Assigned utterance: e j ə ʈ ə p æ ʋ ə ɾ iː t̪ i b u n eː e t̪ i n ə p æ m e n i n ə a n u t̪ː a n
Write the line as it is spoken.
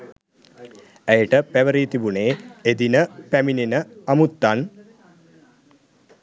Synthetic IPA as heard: æ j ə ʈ ə p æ ʋ ə ɾ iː t̪ i b u n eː e d̪ i n ə p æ m i n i n ə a m u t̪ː a n